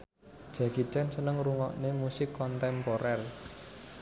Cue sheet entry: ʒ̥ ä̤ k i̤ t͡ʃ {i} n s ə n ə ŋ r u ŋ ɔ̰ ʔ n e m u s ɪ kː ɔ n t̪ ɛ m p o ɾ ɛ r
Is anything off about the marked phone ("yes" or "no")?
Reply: yes